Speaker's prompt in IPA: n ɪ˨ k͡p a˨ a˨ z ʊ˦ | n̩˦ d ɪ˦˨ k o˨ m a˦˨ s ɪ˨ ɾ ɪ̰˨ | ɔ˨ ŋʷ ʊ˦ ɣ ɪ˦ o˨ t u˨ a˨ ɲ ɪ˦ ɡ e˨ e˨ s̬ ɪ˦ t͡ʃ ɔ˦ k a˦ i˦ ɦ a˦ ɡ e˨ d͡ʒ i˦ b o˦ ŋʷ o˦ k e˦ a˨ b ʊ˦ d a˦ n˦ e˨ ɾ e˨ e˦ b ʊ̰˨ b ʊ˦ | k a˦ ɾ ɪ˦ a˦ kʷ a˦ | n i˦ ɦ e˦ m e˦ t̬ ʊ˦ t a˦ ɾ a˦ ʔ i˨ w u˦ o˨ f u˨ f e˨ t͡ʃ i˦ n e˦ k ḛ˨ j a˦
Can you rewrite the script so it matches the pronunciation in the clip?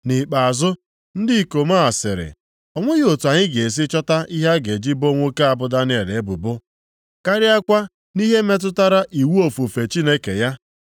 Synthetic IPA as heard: n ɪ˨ k͡p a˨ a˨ z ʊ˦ | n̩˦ d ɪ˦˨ k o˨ m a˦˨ s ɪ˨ ɾ ɪ̰˨ | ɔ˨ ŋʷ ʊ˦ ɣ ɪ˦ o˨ t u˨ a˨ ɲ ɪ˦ ɡ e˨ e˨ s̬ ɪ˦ t͡ʃ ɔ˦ t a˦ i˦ ɦ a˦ ɡ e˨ d͡ʒ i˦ b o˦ ŋʷ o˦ k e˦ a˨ b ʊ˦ d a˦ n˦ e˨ ɾ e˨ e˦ b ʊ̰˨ b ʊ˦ | k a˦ ɾ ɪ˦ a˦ kʷ a˦ | n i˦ ɦ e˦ m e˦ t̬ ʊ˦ t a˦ ɾ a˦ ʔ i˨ w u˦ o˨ f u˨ f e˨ t͡ʃ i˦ n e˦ k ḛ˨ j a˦

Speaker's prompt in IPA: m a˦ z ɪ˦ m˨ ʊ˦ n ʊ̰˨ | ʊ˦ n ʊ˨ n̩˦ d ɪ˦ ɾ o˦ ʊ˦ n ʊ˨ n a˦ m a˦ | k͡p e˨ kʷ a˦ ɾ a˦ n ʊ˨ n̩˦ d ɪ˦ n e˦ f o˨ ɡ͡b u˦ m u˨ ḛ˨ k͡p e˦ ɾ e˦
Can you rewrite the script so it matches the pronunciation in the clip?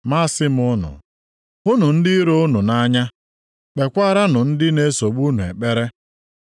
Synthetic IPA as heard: m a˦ s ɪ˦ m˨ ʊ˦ n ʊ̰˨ | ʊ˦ n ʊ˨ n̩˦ d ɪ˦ ɾ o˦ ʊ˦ n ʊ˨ n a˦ ɲ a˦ | k͡p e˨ kʷ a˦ ɾ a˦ n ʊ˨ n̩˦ d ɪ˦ n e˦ s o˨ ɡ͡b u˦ n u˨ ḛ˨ k͡p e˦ ɾ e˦

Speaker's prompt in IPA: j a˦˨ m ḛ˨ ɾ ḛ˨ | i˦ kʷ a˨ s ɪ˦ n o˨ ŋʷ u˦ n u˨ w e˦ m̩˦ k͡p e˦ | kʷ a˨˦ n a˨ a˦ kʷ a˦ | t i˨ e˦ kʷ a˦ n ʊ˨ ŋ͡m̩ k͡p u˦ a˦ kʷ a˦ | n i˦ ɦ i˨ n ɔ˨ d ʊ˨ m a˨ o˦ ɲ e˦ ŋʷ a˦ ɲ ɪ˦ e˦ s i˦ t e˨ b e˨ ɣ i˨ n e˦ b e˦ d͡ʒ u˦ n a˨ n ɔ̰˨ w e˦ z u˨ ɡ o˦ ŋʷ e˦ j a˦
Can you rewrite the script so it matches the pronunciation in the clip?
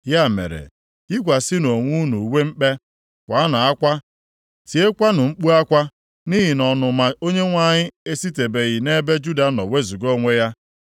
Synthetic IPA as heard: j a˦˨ m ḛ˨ ɾ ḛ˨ | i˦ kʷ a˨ s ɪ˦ n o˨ ŋʷ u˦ n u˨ w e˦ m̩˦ k͡p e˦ | kʷ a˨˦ n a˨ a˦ kʷ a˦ | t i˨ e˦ kʷ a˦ n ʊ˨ ŋ͡m̩ k͡p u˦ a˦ kʷ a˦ | n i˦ ɦ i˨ n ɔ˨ n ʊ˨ m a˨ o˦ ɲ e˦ ŋʷ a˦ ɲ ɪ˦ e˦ s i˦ t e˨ b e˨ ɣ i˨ n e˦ b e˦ d͡ʒ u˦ d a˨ n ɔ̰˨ w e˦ z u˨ ɡ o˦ ŋʷ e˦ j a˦

